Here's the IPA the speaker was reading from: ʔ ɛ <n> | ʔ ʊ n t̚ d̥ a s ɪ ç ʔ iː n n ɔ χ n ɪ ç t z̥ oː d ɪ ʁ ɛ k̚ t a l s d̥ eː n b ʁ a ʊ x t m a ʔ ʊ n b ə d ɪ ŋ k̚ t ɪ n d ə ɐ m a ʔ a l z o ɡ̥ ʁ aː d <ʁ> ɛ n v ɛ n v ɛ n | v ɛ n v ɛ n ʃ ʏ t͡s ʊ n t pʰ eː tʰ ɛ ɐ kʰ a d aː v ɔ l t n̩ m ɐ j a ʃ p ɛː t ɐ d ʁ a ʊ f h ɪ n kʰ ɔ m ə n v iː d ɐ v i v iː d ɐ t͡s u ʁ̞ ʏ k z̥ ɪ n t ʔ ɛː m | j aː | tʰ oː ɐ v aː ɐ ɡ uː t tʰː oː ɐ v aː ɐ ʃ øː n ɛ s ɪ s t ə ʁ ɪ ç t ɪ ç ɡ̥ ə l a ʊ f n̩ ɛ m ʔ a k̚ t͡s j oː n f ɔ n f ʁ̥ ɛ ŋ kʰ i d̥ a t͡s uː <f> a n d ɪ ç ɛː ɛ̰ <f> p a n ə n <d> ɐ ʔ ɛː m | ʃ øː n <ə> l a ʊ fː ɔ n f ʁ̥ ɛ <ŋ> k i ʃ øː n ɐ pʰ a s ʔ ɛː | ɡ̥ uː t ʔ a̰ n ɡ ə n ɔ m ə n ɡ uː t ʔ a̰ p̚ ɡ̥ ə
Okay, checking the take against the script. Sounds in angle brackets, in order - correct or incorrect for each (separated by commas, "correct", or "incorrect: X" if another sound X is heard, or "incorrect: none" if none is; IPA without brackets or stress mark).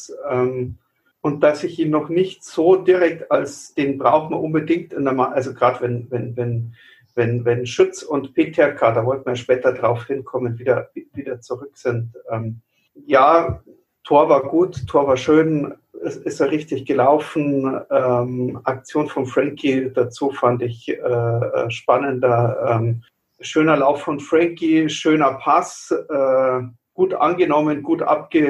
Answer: incorrect: m, incorrect: v, correct, incorrect: ʃ, correct, incorrect: ɐ, correct